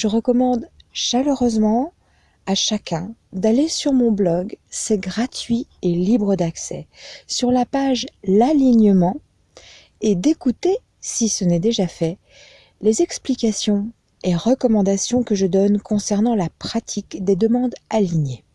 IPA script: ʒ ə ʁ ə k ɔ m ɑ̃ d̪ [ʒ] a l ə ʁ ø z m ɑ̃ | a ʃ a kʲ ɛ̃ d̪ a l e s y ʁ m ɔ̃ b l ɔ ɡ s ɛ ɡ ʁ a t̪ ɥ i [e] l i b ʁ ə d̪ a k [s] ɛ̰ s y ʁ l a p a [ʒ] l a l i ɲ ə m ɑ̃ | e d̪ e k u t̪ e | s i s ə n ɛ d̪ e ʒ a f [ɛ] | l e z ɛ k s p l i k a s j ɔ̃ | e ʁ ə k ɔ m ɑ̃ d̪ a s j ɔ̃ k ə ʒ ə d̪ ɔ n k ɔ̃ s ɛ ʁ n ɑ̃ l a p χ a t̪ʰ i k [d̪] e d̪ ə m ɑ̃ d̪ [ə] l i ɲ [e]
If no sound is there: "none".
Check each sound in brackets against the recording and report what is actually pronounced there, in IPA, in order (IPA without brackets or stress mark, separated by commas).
ʃ, e, s, ʒ, ɛ, d̪, a, e